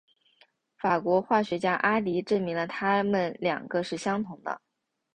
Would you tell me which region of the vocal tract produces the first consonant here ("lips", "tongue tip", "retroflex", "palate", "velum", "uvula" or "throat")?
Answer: lips